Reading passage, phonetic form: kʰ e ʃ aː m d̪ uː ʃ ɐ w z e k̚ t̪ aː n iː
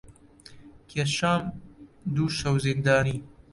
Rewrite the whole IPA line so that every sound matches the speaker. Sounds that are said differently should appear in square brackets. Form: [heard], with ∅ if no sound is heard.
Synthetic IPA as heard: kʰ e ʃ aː m d̪ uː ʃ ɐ w z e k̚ [d̪] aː n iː